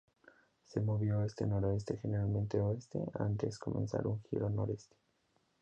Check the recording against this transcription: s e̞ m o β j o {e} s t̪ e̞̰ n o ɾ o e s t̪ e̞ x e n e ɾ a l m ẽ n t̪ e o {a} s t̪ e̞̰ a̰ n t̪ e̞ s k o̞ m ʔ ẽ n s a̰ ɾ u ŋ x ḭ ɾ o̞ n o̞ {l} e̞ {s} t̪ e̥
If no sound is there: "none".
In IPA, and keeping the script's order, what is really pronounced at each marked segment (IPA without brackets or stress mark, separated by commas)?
e, e, ɾ, s